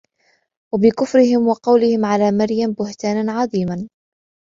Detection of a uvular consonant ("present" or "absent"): present